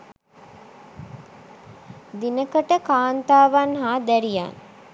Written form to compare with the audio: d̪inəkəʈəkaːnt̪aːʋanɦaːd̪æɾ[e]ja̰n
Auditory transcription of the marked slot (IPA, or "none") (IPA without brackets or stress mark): i